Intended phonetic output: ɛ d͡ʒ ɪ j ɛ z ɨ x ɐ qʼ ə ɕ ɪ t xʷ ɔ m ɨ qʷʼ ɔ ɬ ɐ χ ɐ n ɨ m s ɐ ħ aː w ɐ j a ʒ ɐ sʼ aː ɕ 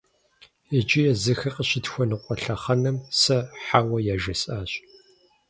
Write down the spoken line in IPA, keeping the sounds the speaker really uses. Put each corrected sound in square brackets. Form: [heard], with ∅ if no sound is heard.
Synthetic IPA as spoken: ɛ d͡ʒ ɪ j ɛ z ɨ x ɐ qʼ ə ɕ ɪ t xʷ ɔ [n] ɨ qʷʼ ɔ ɬ ɐ χ ɐ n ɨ m s ɐ ħ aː w ɐ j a ʒ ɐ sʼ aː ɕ